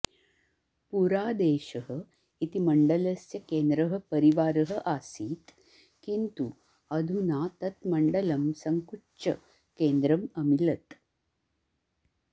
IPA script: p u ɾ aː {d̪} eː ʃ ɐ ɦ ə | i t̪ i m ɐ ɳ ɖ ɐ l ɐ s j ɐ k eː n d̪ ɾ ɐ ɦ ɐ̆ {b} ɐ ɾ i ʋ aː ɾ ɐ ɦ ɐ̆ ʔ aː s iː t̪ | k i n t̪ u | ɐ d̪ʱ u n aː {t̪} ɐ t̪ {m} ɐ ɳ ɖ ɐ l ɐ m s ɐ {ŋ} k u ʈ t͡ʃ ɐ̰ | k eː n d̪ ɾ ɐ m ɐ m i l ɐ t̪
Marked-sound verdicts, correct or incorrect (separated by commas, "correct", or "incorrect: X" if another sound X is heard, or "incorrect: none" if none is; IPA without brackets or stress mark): correct, incorrect: p, correct, correct, correct